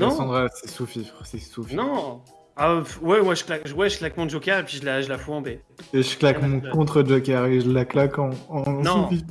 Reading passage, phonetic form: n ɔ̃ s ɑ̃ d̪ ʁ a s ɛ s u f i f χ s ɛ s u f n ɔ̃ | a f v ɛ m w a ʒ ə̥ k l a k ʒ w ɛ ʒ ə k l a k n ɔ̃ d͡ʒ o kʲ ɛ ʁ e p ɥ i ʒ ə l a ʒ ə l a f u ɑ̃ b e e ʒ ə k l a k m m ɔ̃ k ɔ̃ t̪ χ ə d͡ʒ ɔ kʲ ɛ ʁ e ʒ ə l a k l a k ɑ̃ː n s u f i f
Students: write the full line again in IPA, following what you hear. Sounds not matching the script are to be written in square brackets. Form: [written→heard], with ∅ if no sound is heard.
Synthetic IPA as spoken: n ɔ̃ s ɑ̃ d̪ ʁ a s ɛ s u f i f χ s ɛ s u f n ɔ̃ | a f [v→w] ɛ m w a ʒ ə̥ k l a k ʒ w ɛ ʒ ə k l a k [n→m] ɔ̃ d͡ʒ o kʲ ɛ ʁ e p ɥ i ʒ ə l a ʒ ə l a f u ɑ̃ b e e ʒ ə k l a k m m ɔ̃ k ɔ̃ t̪ χ ə d͡ʒ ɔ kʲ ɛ ʁ e ʒ ə l a k l a k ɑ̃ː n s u f i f